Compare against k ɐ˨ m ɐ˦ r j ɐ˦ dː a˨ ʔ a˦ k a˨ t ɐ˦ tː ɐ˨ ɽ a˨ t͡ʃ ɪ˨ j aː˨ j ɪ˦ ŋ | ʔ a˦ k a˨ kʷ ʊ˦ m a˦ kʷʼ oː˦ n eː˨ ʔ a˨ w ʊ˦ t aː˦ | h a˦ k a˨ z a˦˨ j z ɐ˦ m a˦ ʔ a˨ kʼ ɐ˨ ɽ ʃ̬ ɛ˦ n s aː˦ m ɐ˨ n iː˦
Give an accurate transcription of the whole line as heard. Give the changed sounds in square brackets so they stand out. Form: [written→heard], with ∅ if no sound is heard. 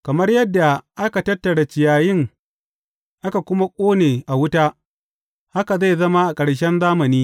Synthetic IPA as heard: k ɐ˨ m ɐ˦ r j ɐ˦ dː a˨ ʔ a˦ k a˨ t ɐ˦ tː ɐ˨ ɽ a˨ t͡ʃ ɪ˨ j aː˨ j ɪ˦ ŋ | ʔ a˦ k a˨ kʷ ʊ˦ m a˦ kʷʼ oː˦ n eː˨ ʔ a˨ w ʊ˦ t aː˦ | h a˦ k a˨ z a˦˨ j z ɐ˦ m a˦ ʔ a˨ kʼ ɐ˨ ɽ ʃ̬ ɛ˦ n [s→z] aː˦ m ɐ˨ n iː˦